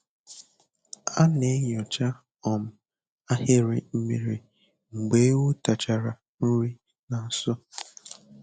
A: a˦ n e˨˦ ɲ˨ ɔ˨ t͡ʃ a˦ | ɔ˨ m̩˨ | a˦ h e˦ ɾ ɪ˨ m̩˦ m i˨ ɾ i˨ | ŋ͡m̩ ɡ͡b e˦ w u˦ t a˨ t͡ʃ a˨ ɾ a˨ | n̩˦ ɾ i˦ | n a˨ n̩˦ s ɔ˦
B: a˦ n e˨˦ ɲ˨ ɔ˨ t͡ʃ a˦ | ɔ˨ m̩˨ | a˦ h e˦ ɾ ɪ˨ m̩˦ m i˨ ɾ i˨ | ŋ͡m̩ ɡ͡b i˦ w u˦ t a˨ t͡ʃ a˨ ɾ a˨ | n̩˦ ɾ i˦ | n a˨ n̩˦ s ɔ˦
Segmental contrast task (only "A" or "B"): A